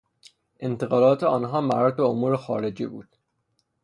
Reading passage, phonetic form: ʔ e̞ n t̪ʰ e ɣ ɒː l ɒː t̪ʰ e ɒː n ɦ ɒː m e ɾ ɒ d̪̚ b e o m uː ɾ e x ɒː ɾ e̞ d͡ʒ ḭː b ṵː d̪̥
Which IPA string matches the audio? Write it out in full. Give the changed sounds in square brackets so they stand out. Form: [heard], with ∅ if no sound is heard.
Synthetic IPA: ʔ e̞ n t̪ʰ e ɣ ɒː l ɒː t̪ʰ e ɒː n ɦ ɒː m [æ] ɾ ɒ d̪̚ b e o m uː ɾ e x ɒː ɾ e̞ d͡ʒ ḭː b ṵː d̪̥